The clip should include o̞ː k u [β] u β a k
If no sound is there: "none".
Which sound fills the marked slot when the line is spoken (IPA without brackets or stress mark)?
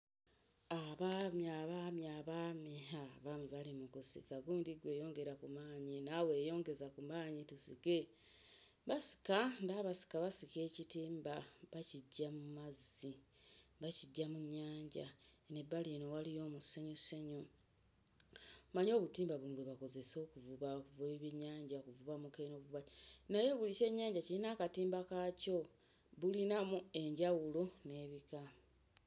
v